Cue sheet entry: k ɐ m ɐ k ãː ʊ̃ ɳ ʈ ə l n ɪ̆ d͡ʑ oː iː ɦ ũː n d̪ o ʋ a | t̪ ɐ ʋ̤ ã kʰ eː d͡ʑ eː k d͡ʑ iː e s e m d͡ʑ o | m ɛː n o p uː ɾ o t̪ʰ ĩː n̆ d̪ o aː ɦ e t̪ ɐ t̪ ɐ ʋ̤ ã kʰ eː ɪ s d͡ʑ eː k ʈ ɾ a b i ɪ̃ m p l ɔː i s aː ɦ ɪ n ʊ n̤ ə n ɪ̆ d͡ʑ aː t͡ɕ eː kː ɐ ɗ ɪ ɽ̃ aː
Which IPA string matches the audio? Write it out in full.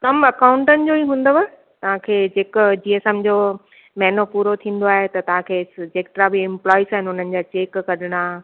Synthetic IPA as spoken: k ɐ m ɐ k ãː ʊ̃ ɳ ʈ ə n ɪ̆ d͡ʑ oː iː ɦ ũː n d̪ o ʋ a | t̪ ɐ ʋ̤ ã kʰ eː d͡ʑ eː k d͡ʑ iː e s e m d͡ʑ o | m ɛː n o p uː ɾ o t̪ʰ ĩː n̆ d̪ o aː ɦ e t̪ ɐ t̪ ɐ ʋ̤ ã kʰ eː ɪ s d͡ʑ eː k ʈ ɾ a b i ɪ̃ m p l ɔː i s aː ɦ ɪ n ʊ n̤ ə n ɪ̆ d͡ʑ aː t͡ɕ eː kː ɐ ɗ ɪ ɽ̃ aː